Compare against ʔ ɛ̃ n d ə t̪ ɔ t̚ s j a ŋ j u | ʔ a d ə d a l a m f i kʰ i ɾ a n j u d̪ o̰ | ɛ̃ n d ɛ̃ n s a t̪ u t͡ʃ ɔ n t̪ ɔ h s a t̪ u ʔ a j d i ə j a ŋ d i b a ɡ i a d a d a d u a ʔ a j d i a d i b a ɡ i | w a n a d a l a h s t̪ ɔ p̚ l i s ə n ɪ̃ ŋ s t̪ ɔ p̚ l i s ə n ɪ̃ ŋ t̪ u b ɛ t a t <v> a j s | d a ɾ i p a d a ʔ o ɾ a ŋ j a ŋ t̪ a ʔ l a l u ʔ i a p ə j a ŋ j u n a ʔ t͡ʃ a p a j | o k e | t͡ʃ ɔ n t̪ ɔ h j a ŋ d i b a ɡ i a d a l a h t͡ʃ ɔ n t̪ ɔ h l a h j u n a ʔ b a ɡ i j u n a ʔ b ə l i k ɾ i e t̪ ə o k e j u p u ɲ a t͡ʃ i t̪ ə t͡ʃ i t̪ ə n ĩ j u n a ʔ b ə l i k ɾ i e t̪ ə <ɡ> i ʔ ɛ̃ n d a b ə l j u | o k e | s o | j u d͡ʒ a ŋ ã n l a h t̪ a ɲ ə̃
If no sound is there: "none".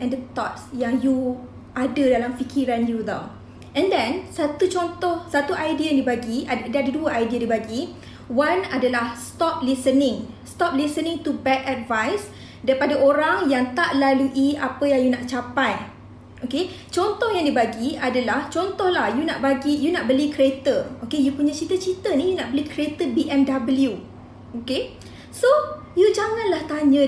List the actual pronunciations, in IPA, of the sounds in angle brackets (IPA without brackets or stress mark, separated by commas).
v, b